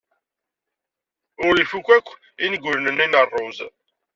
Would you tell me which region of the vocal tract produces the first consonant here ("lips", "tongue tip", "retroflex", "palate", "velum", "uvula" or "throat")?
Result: tongue tip